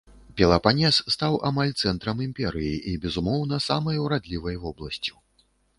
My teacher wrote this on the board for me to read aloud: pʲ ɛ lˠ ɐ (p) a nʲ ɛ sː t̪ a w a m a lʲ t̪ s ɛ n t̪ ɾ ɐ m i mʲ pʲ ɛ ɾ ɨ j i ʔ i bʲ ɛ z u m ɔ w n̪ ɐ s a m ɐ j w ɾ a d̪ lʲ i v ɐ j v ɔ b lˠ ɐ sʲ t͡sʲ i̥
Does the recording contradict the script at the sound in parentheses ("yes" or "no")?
no